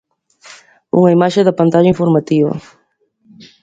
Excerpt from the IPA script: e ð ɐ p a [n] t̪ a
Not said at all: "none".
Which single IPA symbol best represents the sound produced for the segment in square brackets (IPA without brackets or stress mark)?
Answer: n